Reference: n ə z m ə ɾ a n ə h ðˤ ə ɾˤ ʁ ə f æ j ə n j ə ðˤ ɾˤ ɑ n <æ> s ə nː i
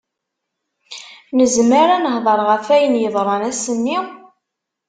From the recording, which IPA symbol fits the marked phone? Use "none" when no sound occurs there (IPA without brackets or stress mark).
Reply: æ